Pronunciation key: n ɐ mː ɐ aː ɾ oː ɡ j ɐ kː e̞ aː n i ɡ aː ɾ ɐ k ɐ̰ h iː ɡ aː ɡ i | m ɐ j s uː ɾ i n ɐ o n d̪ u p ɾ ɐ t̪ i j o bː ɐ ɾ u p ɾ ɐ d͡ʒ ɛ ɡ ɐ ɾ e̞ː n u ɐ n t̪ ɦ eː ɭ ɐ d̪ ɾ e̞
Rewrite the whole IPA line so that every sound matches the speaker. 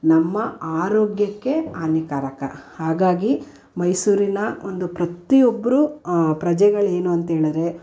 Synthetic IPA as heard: n ɐ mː ɐ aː ɾ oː ɡ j ɐ kː e̞ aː n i k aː ɾ ɐ k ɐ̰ h aː ɡ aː ɡ i | m ɐ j s uː ɾ i n ɐ o n d̪ u p ɾ ɐ t̪ i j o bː ɐ ɾ u p ɾ ɐ d͡ʒ ɛ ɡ ɐ ɭ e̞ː n u ɐ n t̪ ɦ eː ɭ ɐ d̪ ɾ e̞